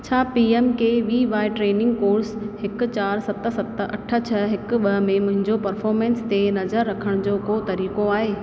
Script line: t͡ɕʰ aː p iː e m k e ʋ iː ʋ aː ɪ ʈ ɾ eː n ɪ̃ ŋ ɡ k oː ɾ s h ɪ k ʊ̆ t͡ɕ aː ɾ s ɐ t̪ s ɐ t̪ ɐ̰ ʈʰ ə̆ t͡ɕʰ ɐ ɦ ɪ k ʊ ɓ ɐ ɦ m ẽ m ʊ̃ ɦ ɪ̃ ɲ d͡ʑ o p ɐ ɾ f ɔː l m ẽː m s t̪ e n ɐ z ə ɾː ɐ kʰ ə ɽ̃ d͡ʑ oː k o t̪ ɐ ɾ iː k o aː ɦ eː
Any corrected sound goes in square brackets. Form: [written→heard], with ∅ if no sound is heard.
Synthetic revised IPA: t͡ɕʰ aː p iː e m k e ʋ iː ʋ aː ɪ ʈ ɾ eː n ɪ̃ ŋ ɡ k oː ɾ s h ɪ k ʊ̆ t͡ɕ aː ɾ s ɐ t̪ s ɐ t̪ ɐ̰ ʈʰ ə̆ t͡ɕʰ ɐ ɦ ɪ k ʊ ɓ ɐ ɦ m ẽ m ʊ̃ ɦ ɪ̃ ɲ d͡ʑ o p ɐ ɾ f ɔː [l→ɾ] m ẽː [m→n] s t̪ e n ɐ z ə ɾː ɐ kʰ ə ɽ̃ d͡ʑ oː k o t̪ ɐ ɾ iː k o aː ɦ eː